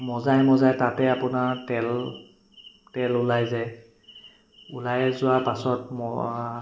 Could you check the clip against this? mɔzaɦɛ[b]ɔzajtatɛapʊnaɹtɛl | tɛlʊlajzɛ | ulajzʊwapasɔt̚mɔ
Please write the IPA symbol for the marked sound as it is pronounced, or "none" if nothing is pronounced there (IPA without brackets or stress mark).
m